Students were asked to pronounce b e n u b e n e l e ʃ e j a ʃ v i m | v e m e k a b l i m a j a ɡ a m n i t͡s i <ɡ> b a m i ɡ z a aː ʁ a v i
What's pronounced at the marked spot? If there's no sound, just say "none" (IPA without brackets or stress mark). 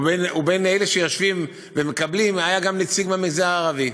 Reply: ɡ